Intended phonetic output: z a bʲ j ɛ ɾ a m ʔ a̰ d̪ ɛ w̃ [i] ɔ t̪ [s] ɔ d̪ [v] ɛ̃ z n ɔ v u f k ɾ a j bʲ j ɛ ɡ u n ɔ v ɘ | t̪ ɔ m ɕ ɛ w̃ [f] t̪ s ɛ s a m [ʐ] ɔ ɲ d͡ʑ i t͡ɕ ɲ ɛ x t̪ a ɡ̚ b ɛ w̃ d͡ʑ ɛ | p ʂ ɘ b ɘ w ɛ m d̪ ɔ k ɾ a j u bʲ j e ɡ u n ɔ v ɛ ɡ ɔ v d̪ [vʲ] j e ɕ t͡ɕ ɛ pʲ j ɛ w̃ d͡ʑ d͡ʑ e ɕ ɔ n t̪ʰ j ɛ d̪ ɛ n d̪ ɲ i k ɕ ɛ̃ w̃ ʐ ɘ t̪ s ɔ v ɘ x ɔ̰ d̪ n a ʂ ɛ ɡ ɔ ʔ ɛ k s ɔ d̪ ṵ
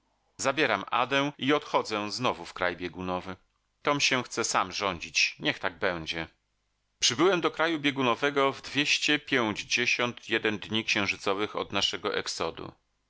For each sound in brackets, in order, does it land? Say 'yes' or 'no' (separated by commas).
yes, no, no, no, yes, yes